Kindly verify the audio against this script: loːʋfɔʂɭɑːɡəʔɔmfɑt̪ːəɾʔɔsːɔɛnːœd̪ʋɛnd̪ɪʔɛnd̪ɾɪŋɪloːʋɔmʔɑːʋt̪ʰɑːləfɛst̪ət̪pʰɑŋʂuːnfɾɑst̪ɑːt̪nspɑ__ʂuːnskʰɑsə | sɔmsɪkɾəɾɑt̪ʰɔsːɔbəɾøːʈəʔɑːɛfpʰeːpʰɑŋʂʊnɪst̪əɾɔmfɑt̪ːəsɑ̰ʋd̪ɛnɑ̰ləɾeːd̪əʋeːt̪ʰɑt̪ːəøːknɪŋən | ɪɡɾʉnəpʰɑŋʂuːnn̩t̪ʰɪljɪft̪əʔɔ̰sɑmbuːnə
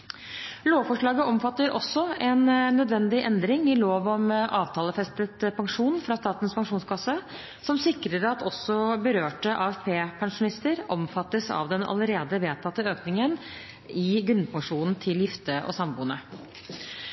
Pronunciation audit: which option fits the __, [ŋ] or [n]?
ŋ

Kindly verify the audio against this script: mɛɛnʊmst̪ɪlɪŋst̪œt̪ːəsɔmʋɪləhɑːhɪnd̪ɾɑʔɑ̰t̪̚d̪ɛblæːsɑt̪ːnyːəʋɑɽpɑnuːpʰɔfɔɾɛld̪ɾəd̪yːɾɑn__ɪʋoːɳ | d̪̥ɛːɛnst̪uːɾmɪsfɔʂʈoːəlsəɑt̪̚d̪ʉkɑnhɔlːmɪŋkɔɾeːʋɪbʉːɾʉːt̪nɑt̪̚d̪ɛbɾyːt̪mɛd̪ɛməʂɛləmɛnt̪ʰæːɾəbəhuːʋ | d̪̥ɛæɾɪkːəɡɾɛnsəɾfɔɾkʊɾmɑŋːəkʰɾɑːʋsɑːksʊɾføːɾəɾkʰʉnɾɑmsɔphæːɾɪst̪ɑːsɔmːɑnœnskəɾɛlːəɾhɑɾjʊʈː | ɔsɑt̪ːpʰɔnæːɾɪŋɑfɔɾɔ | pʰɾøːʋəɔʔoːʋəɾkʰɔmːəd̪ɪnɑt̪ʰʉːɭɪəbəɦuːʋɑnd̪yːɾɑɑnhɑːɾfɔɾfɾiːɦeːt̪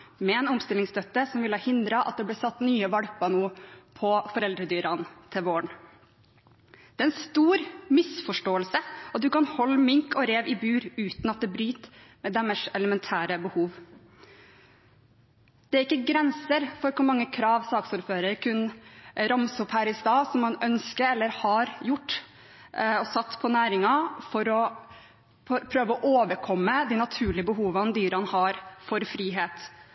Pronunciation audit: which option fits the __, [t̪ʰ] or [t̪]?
t̪ʰ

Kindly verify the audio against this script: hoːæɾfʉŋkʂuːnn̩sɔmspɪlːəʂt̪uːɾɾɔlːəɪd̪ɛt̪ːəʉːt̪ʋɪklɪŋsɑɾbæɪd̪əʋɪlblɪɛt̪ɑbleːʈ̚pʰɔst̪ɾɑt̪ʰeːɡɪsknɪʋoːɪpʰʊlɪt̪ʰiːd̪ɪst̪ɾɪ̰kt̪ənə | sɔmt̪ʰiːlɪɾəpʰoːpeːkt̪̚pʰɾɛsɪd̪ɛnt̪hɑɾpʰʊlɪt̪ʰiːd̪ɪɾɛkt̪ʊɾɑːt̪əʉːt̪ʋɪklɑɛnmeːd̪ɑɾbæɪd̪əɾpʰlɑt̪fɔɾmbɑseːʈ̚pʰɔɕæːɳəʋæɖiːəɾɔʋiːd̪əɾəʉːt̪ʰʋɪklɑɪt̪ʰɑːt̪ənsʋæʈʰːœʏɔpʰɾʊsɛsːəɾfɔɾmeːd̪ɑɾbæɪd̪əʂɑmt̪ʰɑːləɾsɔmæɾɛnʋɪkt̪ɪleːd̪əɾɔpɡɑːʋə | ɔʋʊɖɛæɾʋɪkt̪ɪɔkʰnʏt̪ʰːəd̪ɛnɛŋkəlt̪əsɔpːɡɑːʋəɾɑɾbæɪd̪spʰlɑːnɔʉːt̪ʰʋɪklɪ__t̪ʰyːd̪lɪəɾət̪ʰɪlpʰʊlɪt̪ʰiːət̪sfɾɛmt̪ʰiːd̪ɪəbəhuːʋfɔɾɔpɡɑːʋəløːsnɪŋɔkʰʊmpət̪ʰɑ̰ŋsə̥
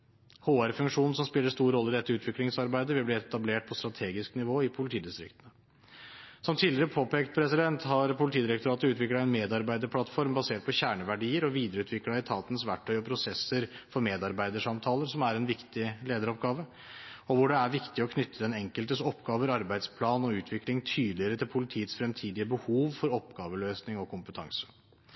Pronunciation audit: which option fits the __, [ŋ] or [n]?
ŋ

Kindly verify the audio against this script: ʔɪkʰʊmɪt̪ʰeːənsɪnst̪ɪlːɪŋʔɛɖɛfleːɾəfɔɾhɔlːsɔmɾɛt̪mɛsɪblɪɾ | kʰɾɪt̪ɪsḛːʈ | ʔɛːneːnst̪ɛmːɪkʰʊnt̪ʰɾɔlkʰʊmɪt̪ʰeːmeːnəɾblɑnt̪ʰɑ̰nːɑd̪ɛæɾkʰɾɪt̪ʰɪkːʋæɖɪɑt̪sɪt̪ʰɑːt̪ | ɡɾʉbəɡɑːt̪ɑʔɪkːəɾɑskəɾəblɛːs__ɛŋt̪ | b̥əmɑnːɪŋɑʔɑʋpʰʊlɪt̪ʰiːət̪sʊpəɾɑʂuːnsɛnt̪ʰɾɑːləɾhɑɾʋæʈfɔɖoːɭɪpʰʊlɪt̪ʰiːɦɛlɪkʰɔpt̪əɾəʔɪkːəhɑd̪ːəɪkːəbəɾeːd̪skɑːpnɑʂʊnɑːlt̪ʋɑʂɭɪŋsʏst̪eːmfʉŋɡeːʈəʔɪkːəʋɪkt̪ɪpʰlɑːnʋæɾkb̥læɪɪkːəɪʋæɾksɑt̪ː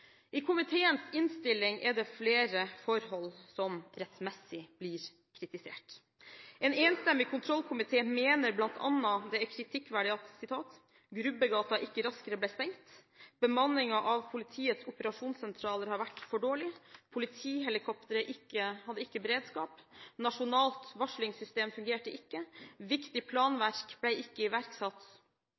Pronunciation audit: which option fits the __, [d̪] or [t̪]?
t̪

